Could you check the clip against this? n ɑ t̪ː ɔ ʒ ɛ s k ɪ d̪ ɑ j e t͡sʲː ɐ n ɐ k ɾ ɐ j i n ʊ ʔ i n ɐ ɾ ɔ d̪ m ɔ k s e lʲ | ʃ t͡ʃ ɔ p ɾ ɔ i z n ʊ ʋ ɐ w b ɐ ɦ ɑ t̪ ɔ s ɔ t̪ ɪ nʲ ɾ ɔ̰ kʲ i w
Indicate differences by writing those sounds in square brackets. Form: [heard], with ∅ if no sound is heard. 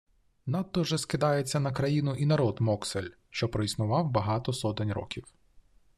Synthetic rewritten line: n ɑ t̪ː ɔ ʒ ɛ s k ɪ d̪ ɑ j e t͡sʲː ɐ n ɐ k ɾ ɐ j i n ʊ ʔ i n ɐ ɾ ɔ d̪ m ɔ k s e lʲ | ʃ t͡ʃ ɔ p ɾ ɔ i [s] n ʊ ʋ [ɑ] w b ɐ ɦ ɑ t̪ ɔ s ɔ t̪ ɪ nʲ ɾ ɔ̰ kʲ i w

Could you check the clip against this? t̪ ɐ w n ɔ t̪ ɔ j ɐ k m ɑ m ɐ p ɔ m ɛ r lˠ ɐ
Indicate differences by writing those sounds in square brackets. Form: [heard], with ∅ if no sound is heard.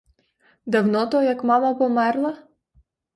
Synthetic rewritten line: [d̪] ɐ w n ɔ t̪ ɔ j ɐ k m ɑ m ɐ p ɔ m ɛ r lˠ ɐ

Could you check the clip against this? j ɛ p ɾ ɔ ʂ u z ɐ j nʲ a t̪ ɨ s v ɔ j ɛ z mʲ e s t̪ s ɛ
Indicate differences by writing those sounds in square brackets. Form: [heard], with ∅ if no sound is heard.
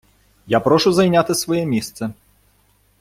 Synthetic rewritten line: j [a] p ɾ ɔ ʂ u z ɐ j nʲ a t̪ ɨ s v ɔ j ɛ [∅] mʲ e s t̪ s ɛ

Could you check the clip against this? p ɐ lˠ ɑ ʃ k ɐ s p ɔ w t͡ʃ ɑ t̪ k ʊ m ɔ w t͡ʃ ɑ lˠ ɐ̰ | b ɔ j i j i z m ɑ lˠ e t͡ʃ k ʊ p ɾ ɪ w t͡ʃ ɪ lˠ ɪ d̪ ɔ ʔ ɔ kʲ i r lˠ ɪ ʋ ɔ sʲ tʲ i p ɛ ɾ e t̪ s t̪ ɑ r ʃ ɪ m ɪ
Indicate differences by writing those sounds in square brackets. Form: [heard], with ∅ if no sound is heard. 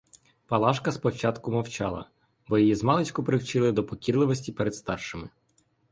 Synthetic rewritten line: p ɐ lˠ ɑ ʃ k ɐ s p ɔ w t͡ʃ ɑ t̪ k ʊ m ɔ w t͡ʃ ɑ lˠ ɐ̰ | b ɔ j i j i z m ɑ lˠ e t͡ʃ k ʊ p ɾ ɪ w t͡ʃ ɪ lˠ ɪ d̪ ɔ [p] ɔ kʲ i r lˠ ɪ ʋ ɔ sʲ tʲ i p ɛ ɾ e [d̪] s t̪ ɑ r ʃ ɪ m ɪ

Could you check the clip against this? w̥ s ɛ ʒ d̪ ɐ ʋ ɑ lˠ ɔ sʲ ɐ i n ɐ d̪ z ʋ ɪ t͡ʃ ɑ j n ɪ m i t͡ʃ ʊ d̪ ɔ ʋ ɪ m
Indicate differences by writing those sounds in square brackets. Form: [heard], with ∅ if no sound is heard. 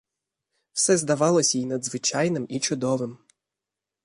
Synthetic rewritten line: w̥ s ɛ [z] d̪ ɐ ʋ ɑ lˠ ɔ sʲ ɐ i n ɐ d̪ z ʋ ɪ t͡ʃ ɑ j n ɪ m i t͡ʃ ʊ d̪ ɔ ʋ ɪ m

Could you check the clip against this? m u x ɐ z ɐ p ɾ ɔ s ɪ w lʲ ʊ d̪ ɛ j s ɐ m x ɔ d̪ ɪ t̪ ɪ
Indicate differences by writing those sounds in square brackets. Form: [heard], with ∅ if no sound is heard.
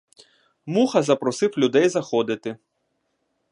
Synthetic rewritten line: m u x ɐ z ɐ p ɾ ɔ s ɪ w lʲ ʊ d̪ ɛ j [z] ɐ [∅] x ɔ d̪ ɪ t̪ ɪ

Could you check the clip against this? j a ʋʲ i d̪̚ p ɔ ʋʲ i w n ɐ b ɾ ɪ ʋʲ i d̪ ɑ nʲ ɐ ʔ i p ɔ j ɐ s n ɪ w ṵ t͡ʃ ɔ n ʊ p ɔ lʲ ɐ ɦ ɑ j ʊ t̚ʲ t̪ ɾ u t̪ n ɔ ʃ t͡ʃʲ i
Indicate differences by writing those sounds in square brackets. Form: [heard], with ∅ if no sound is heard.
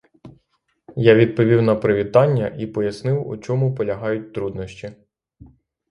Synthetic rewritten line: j a ʋʲ i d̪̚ p ɔ ʋʲ i w n ɐ [p] ɾ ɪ ʋʲ i [t̪] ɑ [nʲː] ɐ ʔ i p ɔ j ɐ s n ɪ w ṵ t͡ʃ ɔ [m] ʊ p ɔ lʲ ɐ ɦ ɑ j ʊ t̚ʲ t̪ ɾ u [d̪] n ɔ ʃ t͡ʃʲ i

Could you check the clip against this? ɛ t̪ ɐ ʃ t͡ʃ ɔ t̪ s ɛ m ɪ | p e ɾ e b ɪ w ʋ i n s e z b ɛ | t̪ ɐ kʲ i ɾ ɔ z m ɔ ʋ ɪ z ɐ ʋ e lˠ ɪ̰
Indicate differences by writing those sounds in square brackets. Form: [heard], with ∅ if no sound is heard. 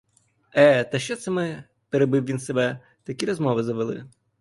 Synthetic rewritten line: ɛ t̪ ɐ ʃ t͡ʃ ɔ t̪ s ɛ m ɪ | p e ɾ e b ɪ w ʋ i n s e [∅] b ɛ | t̪ ɐ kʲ i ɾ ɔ z m ɔ ʋ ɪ z ɐ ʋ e lˠ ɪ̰

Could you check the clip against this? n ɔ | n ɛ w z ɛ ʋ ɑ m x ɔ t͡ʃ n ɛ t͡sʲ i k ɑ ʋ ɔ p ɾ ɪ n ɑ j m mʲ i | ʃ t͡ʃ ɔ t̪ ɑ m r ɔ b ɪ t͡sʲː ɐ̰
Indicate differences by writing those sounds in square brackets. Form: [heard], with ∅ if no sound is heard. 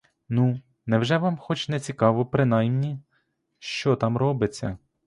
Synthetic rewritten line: n [u] | n ɛ w [ʒ] ɛ ʋ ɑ m x ɔ t͡ʃ n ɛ t͡sʲ i k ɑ ʋ ɔ p ɾ ɪ n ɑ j m [nʲ] i | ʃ t͡ʃ ɔ t̪ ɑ m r ɔ b ɪ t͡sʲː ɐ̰

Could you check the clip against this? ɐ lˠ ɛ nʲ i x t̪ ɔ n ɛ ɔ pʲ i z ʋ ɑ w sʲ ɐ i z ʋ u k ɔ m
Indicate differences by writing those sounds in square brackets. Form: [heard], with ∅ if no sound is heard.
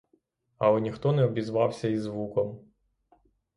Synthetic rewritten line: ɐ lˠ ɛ nʲ i x t̪ ɔ n ɛ ɔ [bʲ] i z ʋ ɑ w sʲ ɐ i z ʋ u k ɔ m

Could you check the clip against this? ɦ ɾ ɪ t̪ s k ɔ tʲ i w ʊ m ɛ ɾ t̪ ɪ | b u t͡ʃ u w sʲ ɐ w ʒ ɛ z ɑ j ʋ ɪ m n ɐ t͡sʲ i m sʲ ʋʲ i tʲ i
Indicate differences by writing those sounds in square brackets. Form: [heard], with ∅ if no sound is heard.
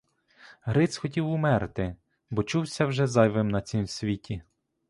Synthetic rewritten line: ɦ ɾ ɪ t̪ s [x] ɔ tʲ i w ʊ m ɛ ɾ t̪ ɪ | b [ɔ] t͡ʃ u w sʲ ɐ w ʒ ɛ z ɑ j ʋ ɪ m n ɐ t͡sʲ i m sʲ ʋʲ i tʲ i

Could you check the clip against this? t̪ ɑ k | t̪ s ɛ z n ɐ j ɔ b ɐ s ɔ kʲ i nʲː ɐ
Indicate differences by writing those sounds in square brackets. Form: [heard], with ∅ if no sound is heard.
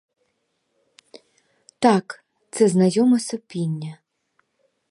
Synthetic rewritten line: t̪ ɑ k | t̪ s ɛ z n ɐ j ɔ [m] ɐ s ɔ [pʲ] i nʲː ɐ

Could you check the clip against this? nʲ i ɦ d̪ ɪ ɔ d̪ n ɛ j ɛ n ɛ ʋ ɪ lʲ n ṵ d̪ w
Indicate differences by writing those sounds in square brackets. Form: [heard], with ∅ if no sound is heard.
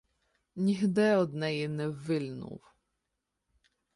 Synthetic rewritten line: nʲ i ɦ d̪ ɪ ɔ d̪ n ɛ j [i] n ɛ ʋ ɪ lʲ n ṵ [∅] w

